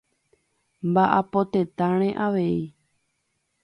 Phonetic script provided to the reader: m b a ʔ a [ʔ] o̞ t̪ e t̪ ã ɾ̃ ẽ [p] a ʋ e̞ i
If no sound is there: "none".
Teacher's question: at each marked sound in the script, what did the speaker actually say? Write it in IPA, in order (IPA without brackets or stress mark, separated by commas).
p, ʔ